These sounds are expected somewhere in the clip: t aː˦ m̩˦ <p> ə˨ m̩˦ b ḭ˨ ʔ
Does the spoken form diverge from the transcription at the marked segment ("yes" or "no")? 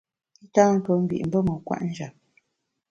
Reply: no